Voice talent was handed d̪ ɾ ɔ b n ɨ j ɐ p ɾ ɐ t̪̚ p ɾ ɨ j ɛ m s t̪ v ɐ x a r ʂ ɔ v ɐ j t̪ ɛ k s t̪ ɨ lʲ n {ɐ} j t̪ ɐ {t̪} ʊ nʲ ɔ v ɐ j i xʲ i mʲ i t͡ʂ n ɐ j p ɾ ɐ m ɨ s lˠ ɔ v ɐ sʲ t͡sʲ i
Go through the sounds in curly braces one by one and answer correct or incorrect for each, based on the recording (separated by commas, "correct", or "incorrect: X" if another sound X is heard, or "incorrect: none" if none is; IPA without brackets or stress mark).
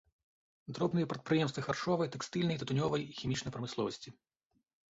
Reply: correct, correct